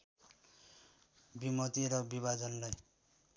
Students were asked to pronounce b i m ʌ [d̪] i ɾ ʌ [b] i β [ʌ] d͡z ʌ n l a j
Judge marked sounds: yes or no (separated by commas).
no, yes, no